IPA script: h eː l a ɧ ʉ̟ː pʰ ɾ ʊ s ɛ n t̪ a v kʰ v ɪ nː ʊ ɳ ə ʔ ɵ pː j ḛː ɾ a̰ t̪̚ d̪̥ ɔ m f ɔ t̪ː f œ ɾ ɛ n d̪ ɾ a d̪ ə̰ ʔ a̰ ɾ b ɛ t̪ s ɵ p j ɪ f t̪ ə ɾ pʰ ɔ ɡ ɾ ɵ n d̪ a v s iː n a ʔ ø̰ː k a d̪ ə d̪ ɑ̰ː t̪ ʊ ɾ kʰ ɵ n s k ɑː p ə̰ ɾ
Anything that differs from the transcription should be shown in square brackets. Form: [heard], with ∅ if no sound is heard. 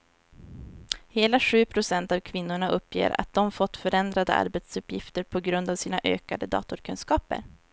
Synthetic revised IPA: h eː l a ɧ ʉ̟ː pʰ ɾ ʊ s ɛ n t̪ a v kʰ v ɪ nː ʊ ɳ [a] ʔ ɵ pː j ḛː ɾ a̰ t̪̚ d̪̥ ɔ m f ɔ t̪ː f œ ɾ ɛ n d̪ ɾ a d̪ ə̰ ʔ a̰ ɾ b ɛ t̪ s ɵ p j ɪ f t̪ ə ɾ pʰ ɔ ɡ ɾ ɵ n d̪ a v s iː n a ʔ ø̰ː k a d̪ ə d̪ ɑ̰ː t̪ ʊ ɾ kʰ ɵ n s k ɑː p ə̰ ɾ